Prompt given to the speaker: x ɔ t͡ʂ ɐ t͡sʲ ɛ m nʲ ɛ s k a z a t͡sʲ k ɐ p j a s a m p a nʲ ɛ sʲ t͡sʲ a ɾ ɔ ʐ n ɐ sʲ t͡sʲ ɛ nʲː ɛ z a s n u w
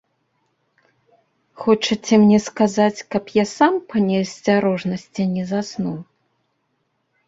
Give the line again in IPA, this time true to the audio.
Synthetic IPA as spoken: x ɔ t͡ʂ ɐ t͡sʲ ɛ m nʲ ɛ s k a z a t͡sʲ k ɐ p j a s a m p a nʲ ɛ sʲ t͡sʲ a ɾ ɔ ʐ n ɐ sʲ t͡sʲ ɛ nʲ ɛ z a s n u w